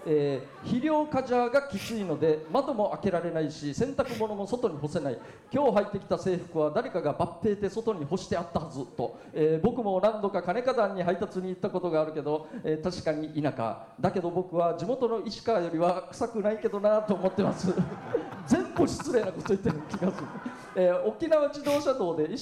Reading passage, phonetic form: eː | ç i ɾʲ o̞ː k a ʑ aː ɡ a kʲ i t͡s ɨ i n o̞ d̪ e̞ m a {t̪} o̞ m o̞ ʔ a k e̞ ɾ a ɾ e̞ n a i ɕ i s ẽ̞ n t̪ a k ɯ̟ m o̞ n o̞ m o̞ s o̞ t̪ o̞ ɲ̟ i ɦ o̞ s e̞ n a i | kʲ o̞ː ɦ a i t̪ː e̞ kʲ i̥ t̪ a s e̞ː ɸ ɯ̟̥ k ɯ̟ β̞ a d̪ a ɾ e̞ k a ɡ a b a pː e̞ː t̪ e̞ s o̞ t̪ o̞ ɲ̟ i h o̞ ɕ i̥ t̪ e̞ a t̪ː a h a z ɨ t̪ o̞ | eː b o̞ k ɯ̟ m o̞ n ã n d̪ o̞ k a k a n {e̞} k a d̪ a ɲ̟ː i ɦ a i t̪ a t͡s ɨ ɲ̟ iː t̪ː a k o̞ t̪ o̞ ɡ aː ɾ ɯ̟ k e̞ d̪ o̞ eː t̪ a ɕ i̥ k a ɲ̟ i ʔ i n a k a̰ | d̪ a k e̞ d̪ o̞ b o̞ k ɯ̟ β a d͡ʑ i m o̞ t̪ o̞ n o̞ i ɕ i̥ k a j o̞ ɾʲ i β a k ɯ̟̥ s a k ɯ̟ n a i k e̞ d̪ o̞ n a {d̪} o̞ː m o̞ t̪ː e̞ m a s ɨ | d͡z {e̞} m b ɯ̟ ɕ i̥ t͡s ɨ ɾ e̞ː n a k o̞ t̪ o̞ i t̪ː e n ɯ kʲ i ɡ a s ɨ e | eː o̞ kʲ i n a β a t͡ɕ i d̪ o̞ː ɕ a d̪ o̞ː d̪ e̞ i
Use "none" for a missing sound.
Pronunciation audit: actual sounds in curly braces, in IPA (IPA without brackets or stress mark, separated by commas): d̪, e̞, t̪, ẽ̞